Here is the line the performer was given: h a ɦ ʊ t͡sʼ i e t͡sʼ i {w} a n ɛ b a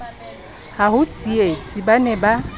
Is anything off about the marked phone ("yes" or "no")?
yes